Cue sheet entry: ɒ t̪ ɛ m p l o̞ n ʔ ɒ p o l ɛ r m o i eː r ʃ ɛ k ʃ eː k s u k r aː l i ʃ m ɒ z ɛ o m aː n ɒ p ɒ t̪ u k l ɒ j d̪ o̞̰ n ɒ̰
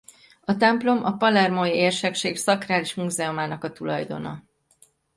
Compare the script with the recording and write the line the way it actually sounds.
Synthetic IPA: ɒ t̪ ɛ m p l o̞ m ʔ ɒ p ɒ l ɛ r m o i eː r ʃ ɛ k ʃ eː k s ɒ k r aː l i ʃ m u z ɛ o m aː n ɒ k ɒ t̪ u l ɒ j d̪ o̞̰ n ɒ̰